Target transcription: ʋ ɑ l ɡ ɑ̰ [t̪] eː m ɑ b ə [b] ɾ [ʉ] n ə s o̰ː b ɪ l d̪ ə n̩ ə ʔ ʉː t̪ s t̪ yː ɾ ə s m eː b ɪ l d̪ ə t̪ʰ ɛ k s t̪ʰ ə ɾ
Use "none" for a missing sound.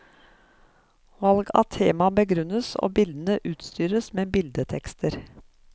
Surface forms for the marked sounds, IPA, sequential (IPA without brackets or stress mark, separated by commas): t̪ʰ, ɡ, ʉ